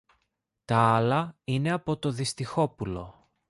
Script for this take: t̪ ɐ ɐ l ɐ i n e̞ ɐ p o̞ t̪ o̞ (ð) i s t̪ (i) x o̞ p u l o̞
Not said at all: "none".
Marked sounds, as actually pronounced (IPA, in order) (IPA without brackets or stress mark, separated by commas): ð, i